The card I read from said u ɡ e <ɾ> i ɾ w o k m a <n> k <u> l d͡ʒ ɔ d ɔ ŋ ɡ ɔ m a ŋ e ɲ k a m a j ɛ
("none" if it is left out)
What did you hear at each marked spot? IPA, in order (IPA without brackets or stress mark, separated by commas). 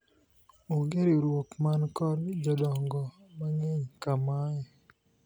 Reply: ɾ, n, ɔ